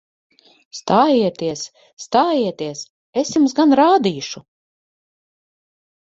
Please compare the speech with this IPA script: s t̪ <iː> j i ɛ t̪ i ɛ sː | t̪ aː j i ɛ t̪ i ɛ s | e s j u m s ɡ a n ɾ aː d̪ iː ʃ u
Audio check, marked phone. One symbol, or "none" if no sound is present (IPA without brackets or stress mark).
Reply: aː